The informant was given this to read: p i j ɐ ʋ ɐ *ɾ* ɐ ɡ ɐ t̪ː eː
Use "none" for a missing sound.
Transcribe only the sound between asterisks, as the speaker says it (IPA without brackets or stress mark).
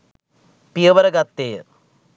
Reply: ɾ